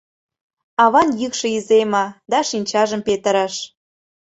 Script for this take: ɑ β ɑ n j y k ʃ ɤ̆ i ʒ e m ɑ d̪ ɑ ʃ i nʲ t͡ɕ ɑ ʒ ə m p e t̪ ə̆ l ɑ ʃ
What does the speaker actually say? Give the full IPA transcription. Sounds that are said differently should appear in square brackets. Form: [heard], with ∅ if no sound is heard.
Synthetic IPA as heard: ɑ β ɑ n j y k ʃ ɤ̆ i [z] e m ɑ d̪ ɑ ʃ i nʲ t͡ɕ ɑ ʒ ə m p e t̪ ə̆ [ɾ] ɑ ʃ

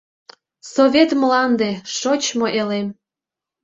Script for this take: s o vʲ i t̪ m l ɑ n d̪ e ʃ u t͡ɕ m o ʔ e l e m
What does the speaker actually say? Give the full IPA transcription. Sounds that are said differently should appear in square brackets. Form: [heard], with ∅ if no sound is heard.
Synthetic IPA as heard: s o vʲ [e] t̪ m l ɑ n d̪ e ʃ [o] t͡ɕ m o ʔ e l e m

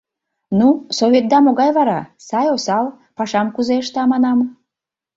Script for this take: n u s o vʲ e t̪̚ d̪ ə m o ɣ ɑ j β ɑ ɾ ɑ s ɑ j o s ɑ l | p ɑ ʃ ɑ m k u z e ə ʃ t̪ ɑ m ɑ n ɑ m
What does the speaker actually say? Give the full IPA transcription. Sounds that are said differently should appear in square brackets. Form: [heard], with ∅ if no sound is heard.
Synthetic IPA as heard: n u s o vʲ e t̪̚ d̪ [ɑ] m o ɣ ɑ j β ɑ ɾ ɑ s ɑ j o s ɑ l | p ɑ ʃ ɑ m k u z e ə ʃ t̪ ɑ m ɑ n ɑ m

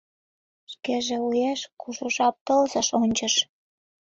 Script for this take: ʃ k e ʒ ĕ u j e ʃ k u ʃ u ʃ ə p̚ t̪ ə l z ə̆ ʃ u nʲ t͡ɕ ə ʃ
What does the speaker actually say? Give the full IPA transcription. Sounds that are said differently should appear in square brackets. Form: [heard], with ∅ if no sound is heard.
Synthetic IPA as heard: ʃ k e ʒ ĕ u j e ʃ k u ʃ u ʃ [ɑ] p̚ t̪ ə l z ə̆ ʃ [o] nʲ t͡ɕ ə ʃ

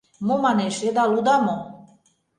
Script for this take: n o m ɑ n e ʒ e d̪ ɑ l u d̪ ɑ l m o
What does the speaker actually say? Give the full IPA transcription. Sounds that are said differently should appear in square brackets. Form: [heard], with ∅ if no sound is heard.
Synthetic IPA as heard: [m] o m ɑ n e [ʃ] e d̪ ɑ l u d̪ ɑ [∅] m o

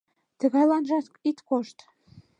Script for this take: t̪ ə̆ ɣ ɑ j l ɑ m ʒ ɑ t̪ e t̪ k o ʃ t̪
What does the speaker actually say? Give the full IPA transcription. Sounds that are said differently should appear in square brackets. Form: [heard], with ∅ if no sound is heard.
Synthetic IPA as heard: t̪ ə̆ ɣ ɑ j l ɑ [n] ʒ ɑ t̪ [i] t̪ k o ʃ t̪

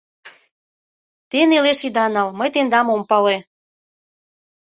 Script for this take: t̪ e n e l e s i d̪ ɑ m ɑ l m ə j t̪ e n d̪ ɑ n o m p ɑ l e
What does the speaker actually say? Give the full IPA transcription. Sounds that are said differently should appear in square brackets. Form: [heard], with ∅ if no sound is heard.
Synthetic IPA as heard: t̪ e n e l e [ʃ] i d̪ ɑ [n] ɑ l m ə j t̪ e n d̪ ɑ [m] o m p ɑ l e

